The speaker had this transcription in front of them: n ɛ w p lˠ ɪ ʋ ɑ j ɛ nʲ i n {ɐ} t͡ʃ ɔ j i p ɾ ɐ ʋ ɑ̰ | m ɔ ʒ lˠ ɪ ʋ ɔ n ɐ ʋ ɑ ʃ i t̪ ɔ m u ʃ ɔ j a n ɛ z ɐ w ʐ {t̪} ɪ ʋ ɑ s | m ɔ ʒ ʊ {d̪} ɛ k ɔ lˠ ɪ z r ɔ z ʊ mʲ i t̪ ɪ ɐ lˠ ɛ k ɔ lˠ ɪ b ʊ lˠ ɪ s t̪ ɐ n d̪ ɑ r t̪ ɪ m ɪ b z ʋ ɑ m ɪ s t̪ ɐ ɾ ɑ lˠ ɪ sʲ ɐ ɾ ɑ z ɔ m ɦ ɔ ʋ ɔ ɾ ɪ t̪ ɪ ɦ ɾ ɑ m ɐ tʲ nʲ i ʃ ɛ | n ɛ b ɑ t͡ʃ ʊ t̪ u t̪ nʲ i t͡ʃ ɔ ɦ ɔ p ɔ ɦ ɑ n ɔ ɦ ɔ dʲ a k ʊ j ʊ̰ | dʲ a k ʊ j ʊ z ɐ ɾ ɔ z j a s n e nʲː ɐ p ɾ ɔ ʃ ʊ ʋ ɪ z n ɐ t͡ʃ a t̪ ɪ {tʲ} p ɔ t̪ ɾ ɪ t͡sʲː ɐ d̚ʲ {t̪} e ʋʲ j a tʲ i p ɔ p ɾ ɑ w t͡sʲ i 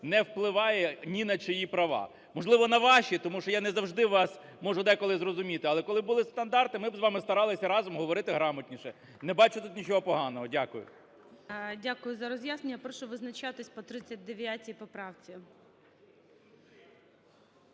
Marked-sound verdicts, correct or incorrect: correct, incorrect, correct, incorrect, incorrect

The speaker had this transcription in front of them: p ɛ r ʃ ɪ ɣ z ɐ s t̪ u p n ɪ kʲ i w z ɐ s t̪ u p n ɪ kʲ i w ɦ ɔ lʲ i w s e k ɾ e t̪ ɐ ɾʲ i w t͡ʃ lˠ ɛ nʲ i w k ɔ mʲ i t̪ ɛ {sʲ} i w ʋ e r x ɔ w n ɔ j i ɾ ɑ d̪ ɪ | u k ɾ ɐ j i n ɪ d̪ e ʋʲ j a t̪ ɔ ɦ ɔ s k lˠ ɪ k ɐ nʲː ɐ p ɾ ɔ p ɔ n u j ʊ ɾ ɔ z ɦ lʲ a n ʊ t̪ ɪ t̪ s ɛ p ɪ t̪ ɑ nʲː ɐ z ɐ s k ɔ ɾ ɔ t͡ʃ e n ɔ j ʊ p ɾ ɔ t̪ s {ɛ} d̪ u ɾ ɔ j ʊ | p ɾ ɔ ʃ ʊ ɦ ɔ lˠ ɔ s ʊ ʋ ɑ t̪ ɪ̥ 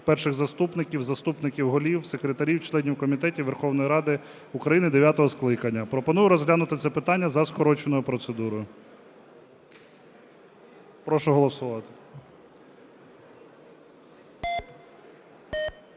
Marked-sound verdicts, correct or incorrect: incorrect, incorrect

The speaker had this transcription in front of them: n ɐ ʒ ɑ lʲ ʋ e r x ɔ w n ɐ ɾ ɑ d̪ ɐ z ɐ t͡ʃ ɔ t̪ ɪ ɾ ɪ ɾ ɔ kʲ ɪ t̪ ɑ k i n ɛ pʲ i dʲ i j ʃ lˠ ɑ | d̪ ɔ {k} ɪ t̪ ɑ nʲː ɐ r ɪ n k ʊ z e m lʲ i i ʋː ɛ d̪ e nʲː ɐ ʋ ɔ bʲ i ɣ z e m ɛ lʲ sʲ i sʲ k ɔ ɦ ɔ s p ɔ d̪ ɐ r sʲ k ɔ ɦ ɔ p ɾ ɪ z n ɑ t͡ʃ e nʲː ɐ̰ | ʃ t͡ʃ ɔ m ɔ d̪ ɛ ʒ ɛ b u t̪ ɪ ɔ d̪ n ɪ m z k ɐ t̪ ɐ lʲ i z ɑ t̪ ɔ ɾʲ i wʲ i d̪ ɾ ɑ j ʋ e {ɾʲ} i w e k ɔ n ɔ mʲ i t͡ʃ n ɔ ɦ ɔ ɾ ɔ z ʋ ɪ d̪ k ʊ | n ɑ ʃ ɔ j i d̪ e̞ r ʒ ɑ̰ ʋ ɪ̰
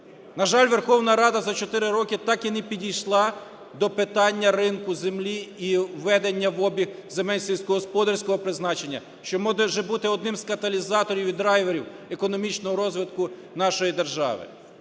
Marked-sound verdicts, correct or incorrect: incorrect, correct

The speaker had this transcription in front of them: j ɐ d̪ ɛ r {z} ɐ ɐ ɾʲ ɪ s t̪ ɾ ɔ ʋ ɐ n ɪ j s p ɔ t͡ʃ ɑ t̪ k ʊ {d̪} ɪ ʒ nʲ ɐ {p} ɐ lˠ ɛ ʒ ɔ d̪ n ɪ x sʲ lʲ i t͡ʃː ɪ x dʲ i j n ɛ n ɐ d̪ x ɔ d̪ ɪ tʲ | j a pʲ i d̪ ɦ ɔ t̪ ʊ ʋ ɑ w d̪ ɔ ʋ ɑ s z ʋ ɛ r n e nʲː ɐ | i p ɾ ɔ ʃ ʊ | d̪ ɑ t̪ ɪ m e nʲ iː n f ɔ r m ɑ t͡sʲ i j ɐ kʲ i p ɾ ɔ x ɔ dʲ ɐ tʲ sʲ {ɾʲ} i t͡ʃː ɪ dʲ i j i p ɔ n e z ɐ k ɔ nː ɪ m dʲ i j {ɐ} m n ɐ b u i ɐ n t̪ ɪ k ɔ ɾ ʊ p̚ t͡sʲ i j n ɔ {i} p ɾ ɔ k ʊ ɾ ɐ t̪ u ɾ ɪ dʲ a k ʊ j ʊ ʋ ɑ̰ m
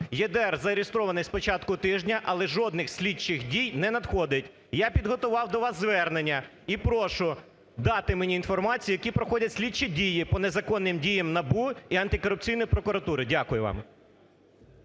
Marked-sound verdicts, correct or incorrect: correct, incorrect, incorrect, incorrect, correct, incorrect

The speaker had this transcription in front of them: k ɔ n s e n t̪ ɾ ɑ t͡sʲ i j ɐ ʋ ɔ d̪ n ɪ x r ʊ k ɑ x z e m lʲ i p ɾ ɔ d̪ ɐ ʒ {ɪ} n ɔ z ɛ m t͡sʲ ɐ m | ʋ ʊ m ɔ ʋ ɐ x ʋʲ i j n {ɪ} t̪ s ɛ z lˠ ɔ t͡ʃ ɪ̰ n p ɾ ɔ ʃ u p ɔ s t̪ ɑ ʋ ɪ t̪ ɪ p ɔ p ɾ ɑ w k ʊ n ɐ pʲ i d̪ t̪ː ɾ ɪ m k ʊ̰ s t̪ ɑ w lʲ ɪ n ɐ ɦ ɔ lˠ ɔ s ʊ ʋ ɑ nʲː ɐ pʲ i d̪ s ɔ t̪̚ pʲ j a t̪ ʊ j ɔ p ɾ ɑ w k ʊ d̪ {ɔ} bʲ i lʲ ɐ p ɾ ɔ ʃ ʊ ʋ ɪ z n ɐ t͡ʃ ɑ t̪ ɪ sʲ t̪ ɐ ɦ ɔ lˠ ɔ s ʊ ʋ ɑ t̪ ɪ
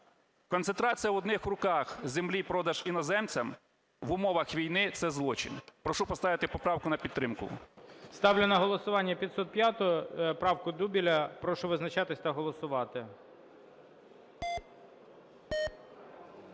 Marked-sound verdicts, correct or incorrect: incorrect, correct, incorrect

